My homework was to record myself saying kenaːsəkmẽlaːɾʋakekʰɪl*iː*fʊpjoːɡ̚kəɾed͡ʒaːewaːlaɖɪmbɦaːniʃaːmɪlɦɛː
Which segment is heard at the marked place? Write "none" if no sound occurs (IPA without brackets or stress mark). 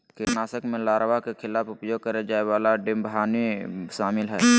aː